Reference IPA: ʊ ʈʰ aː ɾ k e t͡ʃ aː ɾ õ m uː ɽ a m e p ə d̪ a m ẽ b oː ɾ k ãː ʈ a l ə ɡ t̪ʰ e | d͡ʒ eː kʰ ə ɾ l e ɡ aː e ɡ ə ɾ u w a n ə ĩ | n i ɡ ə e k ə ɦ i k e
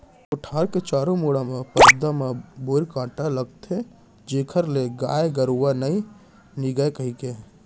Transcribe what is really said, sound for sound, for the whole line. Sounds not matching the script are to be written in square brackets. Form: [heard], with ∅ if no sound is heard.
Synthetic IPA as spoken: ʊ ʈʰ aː ɾ k e t͡ʃ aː ɾ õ m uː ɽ a m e p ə d̪ a m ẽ b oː ɾ k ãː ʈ a l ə ɡ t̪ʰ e | d͡ʒ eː kʰ ə ɾ l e ɡ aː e ɡ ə ɾ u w a n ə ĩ | n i ɡ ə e k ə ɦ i k e